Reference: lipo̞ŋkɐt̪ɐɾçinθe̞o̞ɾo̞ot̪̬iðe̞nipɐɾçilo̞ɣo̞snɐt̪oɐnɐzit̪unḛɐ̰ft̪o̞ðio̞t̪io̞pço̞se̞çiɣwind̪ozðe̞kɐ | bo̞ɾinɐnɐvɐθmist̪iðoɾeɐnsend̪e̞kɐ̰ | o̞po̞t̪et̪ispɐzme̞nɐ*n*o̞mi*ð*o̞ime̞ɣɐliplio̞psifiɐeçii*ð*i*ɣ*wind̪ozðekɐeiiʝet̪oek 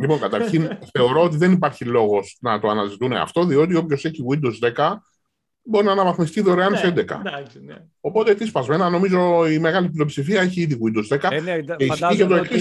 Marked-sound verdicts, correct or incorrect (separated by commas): correct, incorrect, correct, correct